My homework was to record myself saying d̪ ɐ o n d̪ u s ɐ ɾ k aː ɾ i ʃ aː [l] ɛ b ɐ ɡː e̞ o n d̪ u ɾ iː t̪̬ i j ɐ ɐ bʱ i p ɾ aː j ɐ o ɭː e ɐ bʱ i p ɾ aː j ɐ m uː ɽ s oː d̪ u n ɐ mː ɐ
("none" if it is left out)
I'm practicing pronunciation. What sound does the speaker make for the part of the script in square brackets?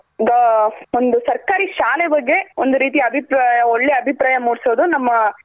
l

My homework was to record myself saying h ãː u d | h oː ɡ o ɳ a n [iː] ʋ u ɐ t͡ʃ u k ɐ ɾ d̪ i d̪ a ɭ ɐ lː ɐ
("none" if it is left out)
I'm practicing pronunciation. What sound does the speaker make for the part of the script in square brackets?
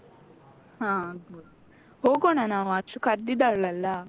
aː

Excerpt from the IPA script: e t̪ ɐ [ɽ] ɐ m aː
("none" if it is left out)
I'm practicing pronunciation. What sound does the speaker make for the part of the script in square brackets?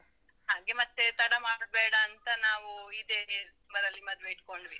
ɽ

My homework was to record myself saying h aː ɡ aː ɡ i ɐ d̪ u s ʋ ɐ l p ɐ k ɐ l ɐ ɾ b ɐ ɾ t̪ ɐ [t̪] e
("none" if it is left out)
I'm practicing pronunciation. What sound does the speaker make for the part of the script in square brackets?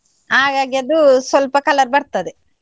d̪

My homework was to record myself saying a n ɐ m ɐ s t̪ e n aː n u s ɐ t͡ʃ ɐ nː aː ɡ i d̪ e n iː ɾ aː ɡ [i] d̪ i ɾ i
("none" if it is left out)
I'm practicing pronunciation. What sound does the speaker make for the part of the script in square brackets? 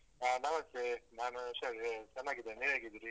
i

